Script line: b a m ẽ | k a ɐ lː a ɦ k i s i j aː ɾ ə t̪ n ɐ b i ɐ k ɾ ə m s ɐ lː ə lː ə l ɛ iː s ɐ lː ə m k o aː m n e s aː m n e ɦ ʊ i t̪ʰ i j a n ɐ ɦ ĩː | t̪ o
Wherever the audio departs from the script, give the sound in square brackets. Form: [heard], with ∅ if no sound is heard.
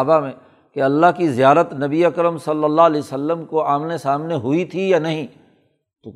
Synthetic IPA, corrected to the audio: b a m ẽ | k [e] ɐ lː a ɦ k i [z] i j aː ɾ ə t̪ n ɐ b i ɐ k ɾ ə m s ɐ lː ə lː [a] l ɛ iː s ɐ lː ə m k o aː m n e s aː m n e ɦ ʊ i t̪ʰ i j a n ɐ ɦ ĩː | t̪ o